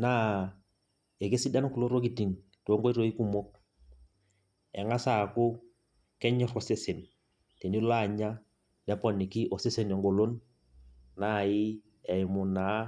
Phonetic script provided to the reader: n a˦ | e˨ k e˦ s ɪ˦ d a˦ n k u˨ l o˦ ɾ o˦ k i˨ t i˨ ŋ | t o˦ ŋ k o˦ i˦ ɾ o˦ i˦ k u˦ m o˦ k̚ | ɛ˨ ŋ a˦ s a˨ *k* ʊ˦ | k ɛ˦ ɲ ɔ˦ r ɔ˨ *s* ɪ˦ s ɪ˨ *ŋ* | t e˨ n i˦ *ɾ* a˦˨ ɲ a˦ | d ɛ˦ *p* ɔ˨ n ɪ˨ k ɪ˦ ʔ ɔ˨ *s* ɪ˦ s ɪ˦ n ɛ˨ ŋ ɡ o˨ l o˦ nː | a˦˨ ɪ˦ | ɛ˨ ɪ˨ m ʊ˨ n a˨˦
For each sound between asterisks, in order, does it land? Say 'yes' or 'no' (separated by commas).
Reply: yes, yes, no, no, yes, yes